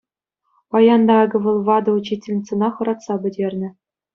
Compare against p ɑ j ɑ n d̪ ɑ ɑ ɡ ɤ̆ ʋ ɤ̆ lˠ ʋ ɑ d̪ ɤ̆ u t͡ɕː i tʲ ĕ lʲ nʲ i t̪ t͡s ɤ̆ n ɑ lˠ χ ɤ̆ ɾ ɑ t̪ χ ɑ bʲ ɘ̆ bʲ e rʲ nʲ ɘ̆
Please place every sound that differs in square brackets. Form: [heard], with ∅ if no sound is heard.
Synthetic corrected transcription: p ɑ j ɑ n d̪ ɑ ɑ ɡ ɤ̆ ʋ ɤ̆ lˠ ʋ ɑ d̪ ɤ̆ u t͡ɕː i tʲ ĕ lʲ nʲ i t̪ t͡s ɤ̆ n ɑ [∅] χ ɤ̆ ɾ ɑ t̪ [s] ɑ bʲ ɘ̆ [dʲ] e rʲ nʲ ɘ̆

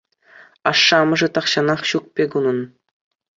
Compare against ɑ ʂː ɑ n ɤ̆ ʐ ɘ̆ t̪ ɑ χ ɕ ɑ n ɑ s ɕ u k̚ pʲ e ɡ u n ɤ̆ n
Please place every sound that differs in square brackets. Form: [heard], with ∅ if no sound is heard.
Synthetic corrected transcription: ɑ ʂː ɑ [m] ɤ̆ ʐ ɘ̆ t̪ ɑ χ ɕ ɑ n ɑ [χ] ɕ u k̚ pʲ e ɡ u n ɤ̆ n

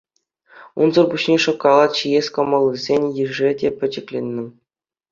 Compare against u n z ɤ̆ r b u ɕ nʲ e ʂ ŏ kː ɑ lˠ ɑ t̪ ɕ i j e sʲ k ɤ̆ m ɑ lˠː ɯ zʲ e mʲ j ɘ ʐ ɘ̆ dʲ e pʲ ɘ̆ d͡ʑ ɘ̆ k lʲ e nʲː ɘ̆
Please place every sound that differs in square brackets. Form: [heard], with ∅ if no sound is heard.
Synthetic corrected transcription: u n z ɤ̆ r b u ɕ nʲ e ʂ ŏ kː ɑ lˠ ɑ t̪ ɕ i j e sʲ k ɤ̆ m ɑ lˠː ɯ zʲ e [nʲ] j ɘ ʐ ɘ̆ dʲ e pʲ ɘ̆ d͡ʑ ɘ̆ k lʲ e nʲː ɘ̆

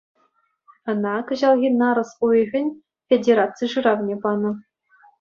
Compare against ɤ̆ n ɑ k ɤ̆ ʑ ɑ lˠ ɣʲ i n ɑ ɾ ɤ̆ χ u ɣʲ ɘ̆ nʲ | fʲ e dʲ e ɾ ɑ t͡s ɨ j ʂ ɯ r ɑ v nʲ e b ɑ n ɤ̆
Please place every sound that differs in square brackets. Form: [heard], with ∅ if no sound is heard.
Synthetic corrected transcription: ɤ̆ n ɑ k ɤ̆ ʑ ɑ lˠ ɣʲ i n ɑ ɾ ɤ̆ [s] u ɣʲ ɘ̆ nʲ | fʲ e dʲ e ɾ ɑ t͡s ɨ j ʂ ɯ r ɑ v nʲ e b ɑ n ɤ̆

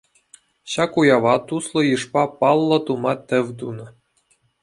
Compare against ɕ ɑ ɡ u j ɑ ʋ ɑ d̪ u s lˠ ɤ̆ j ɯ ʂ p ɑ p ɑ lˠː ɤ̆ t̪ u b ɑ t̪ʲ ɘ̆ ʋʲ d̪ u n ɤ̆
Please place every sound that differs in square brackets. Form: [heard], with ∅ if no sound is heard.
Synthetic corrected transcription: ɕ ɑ [k] u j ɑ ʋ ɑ [t̪] u s lˠ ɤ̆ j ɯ ʂ p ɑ p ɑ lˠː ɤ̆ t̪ u [m] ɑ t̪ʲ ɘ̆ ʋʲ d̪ u n ɤ̆

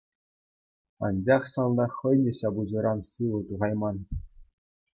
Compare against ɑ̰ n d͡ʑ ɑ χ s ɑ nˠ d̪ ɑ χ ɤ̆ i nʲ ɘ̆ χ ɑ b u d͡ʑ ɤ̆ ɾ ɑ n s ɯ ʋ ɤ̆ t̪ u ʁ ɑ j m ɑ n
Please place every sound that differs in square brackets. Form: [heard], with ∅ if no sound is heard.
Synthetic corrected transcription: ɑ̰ n d͡ʑ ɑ χ s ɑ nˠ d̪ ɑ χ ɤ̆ [j] nʲ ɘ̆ [ɕ] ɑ b u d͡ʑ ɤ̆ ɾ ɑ n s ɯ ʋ ɤ̆ t̪ u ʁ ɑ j m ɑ n

